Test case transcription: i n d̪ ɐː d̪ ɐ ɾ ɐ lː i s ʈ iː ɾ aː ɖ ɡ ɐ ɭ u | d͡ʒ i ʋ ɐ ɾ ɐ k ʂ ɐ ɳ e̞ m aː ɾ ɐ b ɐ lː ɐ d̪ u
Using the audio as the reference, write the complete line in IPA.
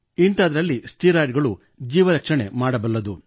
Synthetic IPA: i n t̪ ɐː d̪ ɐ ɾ ɐ lː i s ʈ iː ɾ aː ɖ ɡ ɐ ɭ u | d͡ʒ iː ʋ ɐ ɾ ɐ k ʂ ɐ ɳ e̞ m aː ɽ ɐ b ɐ lː ɐ d̪ u